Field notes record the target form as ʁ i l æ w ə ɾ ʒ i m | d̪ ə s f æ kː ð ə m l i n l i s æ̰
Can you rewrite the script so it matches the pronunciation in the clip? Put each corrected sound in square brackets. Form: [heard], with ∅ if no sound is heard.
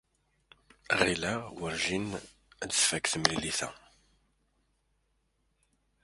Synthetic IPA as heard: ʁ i l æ w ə ɾ ʒ i [n] | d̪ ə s f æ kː [θ] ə m l i [∅] l i [θ] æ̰